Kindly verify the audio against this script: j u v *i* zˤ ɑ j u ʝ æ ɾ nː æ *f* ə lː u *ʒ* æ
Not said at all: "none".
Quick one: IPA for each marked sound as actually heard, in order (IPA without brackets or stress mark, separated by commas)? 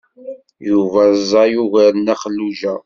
æ, χ, ʒ